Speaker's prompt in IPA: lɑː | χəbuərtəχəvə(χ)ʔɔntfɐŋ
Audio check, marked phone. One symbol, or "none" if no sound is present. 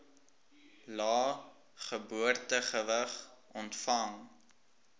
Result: χ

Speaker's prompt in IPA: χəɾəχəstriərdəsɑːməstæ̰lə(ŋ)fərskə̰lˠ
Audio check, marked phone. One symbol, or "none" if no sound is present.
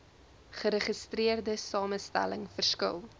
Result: ŋ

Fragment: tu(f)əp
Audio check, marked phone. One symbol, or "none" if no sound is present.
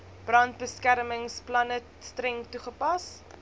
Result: χ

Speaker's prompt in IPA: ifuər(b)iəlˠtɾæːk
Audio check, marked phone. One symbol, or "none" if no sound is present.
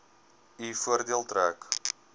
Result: d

